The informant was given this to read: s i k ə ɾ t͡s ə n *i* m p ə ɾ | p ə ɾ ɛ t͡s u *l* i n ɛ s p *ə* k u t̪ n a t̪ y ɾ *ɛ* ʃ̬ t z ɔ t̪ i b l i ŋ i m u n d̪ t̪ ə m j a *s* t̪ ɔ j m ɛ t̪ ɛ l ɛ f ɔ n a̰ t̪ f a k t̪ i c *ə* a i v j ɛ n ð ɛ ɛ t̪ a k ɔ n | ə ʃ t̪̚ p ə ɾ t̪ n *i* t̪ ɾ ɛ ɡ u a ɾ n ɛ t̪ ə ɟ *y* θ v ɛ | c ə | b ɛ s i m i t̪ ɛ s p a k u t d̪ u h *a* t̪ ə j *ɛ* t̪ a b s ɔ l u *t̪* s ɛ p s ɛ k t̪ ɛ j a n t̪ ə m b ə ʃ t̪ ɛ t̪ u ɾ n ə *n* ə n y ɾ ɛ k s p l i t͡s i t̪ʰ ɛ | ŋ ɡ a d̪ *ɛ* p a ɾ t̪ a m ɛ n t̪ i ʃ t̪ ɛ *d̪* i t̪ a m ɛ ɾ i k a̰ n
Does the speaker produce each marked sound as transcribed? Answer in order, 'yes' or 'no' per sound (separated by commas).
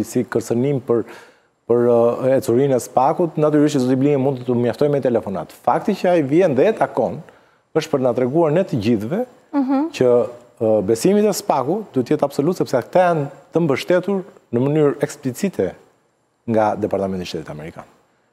yes, no, no, no, no, yes, no, no, no, yes, yes, no, yes, no